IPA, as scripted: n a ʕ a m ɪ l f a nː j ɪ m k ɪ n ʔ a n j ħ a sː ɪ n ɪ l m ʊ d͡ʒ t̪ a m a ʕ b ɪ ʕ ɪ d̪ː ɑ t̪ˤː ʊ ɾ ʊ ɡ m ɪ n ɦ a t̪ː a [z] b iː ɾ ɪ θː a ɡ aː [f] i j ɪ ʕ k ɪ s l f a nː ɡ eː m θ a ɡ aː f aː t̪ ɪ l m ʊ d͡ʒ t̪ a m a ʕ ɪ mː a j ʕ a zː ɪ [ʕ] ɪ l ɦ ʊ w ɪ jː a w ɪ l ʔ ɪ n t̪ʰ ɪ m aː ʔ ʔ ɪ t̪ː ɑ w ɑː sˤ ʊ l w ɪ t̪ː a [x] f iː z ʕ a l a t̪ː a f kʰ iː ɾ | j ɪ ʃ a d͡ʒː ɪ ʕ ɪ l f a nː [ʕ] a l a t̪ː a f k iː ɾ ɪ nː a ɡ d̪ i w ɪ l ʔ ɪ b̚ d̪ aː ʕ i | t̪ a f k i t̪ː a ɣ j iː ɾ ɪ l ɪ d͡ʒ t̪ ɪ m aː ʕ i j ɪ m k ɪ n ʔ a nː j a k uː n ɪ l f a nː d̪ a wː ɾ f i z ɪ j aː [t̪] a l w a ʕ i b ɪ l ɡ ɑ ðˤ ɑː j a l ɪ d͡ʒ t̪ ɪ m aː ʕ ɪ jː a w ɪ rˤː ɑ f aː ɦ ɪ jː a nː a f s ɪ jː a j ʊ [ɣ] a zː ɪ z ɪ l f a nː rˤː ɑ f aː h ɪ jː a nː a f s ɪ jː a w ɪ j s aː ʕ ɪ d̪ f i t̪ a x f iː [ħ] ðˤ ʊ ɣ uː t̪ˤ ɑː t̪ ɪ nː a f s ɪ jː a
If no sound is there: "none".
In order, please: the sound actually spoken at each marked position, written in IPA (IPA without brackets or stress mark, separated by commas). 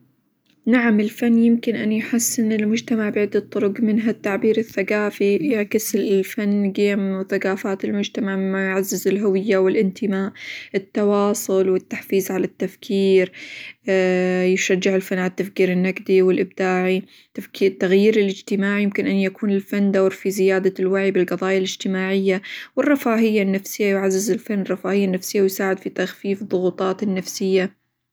ʕ, f, z, ħ, ʕ, d̪, ʕ, f